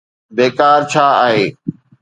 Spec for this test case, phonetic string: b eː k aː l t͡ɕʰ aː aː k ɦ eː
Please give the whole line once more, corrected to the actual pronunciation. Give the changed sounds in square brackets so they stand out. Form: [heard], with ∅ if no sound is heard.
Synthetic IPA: b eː k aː [ɾ] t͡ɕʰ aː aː [∅] ɦ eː